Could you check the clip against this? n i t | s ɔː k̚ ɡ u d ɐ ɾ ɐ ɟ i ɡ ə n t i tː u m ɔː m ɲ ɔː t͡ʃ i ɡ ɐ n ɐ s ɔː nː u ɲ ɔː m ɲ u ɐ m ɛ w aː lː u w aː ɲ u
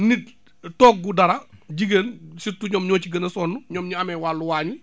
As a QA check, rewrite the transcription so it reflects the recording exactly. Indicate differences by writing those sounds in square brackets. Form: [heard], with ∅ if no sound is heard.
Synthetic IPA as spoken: n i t | [t] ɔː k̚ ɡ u d ɐ ɾ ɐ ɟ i ɡ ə n [s] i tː u [ɲ] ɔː m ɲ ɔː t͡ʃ i ɡ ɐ n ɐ s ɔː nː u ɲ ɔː m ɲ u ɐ m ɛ w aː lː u w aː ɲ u